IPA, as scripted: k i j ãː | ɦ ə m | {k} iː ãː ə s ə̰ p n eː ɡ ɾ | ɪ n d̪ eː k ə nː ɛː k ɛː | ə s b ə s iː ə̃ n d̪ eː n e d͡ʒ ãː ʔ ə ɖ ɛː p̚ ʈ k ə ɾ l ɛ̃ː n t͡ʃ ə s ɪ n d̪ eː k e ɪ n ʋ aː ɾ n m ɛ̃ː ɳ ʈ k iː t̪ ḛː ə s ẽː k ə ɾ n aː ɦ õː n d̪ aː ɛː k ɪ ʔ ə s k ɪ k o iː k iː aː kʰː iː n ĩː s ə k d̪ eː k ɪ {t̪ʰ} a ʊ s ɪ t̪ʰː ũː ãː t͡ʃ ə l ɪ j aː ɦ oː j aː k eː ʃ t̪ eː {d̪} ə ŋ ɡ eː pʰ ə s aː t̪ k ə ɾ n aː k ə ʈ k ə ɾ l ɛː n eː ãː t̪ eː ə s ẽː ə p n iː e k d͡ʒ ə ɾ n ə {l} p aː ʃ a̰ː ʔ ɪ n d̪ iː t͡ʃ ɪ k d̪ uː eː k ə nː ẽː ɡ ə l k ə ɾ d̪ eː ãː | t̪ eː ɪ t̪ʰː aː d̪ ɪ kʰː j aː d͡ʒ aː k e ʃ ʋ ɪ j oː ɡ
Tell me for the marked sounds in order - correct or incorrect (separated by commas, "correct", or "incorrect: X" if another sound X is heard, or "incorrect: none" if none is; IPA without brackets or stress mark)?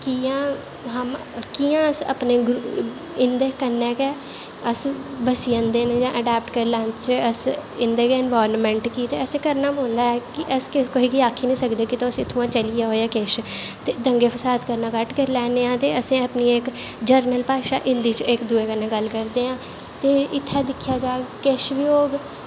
correct, incorrect: t̪, correct, correct